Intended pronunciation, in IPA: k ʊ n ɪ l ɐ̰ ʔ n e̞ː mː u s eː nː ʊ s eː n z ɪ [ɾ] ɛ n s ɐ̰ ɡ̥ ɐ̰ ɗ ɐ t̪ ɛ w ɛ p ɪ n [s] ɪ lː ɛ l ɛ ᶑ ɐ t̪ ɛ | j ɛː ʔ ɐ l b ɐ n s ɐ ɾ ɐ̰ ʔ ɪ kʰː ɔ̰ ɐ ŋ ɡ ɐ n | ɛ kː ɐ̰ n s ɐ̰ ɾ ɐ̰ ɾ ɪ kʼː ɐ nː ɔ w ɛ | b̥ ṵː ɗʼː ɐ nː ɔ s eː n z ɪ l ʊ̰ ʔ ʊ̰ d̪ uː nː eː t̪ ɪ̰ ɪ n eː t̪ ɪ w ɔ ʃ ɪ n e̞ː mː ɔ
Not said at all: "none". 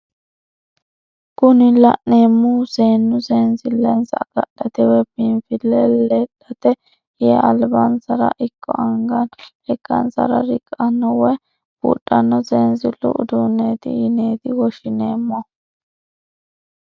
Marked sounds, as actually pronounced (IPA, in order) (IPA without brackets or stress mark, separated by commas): l, f